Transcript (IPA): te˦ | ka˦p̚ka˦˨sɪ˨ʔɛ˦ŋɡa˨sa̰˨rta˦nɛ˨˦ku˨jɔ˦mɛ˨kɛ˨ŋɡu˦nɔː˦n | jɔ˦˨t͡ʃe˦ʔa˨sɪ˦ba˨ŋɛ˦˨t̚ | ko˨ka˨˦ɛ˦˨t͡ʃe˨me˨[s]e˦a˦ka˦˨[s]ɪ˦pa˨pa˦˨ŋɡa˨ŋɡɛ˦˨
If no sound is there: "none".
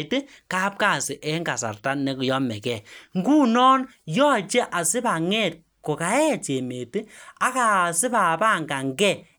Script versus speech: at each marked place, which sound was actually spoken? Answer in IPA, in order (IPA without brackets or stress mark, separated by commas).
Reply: t, s